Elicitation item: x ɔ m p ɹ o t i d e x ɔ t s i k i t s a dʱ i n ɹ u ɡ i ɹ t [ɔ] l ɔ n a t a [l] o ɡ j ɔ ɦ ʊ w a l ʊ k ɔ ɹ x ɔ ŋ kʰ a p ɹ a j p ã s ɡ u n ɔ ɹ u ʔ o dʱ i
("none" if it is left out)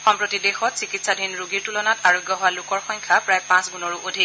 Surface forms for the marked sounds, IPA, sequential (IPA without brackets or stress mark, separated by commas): u, ɹ